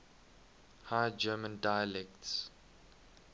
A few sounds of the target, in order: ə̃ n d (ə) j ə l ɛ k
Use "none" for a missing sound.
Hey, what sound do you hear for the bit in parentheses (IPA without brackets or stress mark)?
a